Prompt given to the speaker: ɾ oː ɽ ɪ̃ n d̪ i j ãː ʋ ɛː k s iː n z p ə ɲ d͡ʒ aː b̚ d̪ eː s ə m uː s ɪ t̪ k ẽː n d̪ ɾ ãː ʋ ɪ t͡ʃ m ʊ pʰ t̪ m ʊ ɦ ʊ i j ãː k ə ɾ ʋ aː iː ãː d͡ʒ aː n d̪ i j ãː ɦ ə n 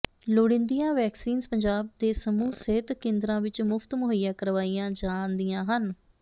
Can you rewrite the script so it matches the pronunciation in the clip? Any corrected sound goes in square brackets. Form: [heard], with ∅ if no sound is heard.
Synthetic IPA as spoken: [l] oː ɽ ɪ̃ n d̪ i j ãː ʋ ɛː k s iː n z p ə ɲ d͡ʒ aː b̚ d̪ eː s ə m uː s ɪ t̪ k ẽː n d̪ ɾ ãː ʋ ɪ t͡ʃ m ʊ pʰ t̪ m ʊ ɦ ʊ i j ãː k ə ɾ ʋ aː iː ãː d͡ʒ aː n d̪ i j ãː ɦ ə n